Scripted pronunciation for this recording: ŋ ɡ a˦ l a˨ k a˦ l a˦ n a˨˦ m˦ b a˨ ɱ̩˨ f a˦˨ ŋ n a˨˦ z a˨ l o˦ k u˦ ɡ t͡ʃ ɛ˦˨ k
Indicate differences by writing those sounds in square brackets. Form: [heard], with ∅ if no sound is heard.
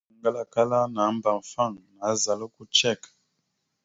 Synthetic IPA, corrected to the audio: ŋ ɡ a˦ l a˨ k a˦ l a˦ n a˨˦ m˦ b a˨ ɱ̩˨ f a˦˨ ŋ n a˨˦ z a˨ l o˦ k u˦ [∅] t͡ʃ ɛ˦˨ k